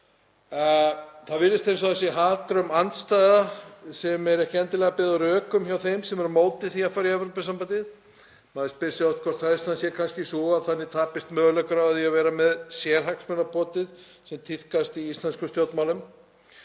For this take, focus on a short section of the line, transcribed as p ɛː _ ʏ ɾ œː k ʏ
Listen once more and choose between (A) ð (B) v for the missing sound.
A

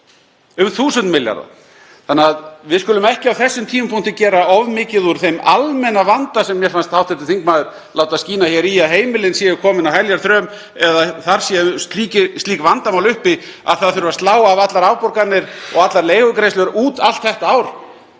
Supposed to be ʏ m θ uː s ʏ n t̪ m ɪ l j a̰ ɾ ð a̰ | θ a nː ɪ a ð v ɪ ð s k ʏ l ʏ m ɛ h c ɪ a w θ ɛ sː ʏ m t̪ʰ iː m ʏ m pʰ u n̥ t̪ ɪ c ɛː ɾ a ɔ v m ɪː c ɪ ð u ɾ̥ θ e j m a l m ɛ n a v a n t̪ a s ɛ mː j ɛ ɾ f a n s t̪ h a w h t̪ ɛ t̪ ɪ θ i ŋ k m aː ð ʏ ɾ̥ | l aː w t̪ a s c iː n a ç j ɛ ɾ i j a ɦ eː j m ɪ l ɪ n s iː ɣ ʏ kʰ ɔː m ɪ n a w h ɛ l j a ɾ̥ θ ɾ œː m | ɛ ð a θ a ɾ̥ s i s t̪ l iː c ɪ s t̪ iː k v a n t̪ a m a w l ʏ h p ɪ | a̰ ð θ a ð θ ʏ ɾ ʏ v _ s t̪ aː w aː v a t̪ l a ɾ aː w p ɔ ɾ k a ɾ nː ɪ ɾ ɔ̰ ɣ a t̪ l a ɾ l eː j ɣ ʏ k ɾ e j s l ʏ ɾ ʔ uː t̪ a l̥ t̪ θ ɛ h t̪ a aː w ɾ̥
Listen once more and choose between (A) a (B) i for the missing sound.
A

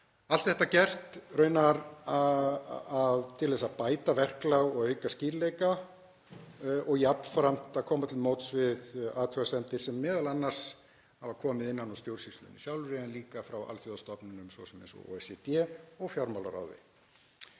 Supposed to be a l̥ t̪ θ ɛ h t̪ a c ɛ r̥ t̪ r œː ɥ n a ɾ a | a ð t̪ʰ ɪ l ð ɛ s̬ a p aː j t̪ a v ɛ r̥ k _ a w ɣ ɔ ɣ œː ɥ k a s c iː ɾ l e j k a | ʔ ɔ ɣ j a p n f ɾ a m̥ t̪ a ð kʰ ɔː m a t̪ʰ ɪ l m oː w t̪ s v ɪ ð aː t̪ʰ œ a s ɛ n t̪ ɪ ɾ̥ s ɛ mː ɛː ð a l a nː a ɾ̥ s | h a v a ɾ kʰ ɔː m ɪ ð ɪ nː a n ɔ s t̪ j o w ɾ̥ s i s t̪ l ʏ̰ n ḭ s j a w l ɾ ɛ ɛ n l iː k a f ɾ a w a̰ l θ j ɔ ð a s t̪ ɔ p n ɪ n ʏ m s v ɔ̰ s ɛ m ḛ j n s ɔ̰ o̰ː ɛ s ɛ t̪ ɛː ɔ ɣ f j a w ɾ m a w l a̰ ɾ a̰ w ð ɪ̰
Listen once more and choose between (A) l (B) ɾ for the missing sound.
A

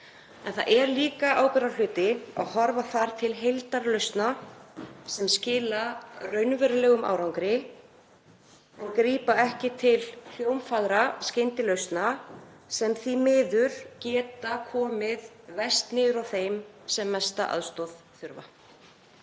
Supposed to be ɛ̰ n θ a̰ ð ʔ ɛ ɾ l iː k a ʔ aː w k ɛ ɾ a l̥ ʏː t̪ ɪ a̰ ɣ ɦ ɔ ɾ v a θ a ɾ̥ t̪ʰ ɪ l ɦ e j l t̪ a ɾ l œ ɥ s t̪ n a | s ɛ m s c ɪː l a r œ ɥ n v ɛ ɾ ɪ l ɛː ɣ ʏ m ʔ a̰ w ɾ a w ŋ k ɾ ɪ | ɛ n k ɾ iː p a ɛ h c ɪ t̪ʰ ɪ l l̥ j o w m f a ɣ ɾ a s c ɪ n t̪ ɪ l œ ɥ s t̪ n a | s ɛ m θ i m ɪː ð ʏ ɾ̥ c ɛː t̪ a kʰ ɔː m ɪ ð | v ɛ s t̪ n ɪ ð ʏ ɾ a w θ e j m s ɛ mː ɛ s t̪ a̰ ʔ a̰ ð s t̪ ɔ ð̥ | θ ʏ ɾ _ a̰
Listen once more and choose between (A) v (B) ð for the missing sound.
A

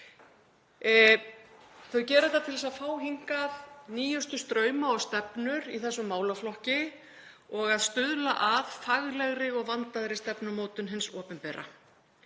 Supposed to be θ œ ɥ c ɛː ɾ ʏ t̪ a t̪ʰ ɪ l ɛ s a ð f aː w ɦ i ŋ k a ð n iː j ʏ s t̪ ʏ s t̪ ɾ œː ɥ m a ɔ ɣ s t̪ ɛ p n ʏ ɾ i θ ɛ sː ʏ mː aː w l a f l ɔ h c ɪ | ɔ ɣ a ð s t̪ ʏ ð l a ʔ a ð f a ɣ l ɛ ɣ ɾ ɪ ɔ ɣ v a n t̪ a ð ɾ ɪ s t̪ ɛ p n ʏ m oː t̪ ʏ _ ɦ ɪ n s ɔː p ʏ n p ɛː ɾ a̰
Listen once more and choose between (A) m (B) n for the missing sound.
B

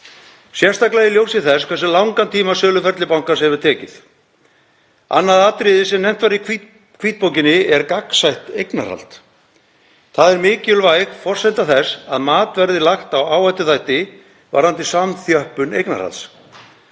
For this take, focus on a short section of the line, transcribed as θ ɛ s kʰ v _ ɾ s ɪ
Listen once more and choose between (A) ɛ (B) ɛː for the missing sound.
A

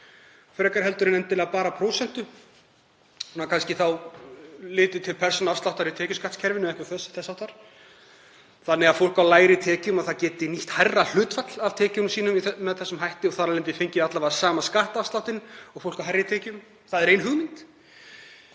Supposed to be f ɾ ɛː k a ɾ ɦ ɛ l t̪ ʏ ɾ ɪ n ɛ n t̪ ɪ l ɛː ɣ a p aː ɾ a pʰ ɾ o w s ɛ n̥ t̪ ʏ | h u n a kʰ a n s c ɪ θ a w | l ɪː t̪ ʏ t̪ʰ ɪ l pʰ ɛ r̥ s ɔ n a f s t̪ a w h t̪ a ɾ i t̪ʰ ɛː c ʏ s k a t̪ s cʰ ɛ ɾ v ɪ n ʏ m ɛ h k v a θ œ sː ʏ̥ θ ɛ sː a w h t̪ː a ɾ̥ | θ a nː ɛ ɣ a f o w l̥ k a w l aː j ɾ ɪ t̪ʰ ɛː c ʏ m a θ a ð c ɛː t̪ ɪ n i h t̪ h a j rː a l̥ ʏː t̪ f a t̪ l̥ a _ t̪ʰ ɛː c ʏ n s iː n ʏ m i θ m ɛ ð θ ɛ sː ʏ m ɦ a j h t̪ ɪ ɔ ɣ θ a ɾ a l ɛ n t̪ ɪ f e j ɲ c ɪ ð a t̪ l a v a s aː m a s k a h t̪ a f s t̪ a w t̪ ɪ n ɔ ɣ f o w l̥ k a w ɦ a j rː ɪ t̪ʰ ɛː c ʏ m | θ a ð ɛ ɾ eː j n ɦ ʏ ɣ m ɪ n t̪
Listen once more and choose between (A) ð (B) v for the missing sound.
B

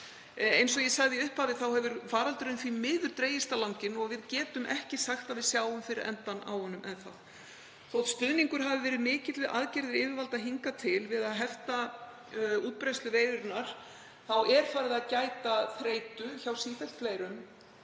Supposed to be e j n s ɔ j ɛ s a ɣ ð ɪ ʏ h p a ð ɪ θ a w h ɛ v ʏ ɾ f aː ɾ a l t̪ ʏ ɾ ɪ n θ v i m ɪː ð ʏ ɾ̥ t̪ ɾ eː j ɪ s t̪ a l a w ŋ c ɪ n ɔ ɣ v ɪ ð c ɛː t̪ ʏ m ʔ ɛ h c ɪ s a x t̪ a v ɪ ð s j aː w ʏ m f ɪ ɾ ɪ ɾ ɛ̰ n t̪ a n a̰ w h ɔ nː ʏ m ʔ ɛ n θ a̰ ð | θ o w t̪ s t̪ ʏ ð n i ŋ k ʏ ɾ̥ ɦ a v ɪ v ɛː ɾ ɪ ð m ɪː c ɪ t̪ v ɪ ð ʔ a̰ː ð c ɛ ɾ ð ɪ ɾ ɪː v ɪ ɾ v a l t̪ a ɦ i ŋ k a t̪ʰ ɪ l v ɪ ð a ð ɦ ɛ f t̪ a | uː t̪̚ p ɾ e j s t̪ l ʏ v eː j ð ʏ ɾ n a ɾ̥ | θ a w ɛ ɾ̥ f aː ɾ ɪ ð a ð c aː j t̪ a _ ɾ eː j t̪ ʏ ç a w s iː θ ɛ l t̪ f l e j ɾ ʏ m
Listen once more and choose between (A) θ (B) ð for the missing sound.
A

